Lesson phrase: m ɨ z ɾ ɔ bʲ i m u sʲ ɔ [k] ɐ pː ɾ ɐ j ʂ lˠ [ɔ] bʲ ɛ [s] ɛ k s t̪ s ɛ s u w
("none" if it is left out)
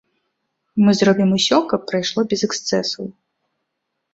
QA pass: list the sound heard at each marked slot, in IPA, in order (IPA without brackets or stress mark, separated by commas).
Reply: k, ɔ, z